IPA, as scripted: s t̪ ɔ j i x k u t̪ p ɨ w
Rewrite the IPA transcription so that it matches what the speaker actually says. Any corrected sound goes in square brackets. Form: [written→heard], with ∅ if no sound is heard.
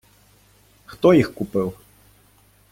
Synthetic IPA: [s→x] t̪ ɔ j i x k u [t̪→∅] p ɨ w